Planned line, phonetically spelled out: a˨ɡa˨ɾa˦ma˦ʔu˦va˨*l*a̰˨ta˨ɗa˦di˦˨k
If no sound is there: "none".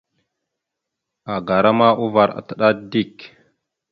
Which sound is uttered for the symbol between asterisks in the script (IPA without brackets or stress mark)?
ɾ